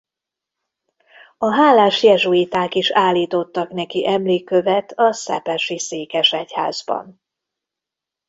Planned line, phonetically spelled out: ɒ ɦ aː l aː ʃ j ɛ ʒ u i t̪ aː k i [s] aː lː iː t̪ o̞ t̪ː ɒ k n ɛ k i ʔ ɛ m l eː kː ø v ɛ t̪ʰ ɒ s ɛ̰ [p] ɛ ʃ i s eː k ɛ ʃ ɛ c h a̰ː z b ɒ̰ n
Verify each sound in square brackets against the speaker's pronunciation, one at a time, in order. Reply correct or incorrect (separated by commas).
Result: incorrect, correct